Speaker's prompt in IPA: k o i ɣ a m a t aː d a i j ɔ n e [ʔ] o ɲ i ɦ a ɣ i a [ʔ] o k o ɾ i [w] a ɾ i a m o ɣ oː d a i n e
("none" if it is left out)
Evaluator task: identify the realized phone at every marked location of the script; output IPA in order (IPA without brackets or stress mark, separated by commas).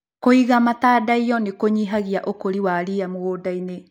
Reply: k, ʔ, w